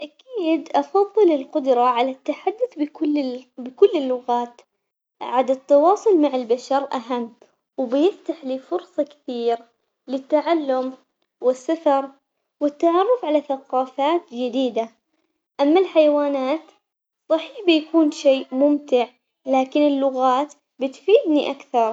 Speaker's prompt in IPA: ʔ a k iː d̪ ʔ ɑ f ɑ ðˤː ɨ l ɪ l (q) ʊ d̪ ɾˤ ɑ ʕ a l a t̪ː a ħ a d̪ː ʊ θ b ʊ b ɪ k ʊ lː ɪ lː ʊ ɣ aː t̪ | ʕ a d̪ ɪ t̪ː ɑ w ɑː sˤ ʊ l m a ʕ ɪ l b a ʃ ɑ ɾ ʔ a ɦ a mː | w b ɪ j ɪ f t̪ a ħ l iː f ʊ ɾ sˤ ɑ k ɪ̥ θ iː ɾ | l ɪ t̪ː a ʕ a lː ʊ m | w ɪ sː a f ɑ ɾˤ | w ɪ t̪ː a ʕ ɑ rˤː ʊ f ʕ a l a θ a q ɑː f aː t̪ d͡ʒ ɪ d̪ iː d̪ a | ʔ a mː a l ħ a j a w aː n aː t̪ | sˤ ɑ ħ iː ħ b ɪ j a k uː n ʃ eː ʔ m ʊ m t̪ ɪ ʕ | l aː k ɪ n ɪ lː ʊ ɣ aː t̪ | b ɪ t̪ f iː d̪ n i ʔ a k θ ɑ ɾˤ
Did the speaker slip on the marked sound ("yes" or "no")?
no